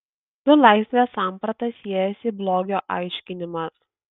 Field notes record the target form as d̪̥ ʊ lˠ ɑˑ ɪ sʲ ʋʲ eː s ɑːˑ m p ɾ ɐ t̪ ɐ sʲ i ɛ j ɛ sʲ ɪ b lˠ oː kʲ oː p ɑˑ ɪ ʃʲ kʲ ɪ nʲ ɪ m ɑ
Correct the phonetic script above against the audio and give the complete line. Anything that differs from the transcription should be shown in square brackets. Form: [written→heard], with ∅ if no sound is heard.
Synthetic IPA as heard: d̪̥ ʊ lˠ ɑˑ ɪ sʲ ʋʲ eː s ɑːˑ m p ɾ ɐ t̪ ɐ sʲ i ɛ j ɛ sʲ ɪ b lˠ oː [kʲ→ɡʲ] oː [p→ʔ] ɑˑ ɪ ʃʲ kʲ ɪ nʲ ɪ m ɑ